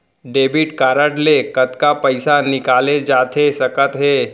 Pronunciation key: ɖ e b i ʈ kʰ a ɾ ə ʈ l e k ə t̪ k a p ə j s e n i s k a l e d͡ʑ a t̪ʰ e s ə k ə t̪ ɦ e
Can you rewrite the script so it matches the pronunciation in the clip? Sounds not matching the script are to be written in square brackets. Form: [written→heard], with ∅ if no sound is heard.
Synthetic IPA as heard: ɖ e b i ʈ [kʰ→k] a ɾ ə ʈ l e k ə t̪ k a p ə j s [e→a] n i [s→∅] k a l e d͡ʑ a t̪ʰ e s ə k ə t̪ ɦ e